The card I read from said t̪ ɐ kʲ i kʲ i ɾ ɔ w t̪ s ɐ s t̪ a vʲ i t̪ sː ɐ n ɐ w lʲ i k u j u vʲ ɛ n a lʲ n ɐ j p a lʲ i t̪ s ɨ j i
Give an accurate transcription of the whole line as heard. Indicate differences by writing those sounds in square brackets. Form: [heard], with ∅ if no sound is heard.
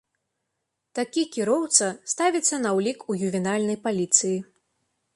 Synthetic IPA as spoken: t̪ [a] kʲ i kʲ i ɾ ɔ w t̪ s ɐ s t̪ a vʲ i t̪ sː ɐ n ɐ w lʲ i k u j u vʲ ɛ n a lʲ n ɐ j p a lʲ i t̪ s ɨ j i